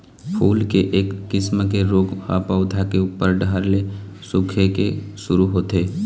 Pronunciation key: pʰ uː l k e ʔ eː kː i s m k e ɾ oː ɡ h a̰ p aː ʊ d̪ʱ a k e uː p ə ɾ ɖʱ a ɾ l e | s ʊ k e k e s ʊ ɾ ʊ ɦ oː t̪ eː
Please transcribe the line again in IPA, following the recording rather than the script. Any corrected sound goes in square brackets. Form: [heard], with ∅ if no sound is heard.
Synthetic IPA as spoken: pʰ uː l k e ʔ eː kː [ɪ] s m k e ɾ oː ɡ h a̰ p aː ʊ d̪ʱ a k e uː p ə ɾ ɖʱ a ɾ l e | s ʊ [kʰ] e k e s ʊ ɾ [u] ɦ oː t̪ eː